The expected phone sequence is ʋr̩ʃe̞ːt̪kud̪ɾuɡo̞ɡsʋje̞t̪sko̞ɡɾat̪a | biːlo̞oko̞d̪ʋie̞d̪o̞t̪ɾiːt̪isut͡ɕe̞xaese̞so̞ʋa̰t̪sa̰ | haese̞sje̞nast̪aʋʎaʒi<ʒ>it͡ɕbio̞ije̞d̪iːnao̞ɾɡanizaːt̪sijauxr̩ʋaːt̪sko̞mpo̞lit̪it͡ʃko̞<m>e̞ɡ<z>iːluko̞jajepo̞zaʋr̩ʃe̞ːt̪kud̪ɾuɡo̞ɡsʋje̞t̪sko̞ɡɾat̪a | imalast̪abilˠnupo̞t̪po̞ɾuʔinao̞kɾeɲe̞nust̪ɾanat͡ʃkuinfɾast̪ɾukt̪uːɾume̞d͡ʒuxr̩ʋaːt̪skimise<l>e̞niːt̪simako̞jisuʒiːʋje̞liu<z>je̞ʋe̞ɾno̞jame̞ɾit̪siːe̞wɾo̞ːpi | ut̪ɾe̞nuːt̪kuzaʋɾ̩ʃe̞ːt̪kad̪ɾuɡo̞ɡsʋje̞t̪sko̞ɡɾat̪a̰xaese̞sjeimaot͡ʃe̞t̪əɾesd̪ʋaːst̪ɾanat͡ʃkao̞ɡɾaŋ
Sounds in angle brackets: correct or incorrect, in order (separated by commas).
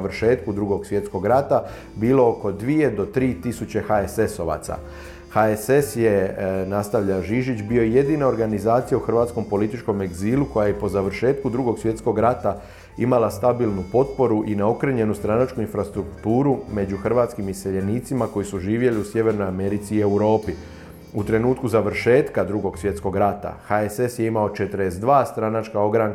correct, correct, correct, incorrect, incorrect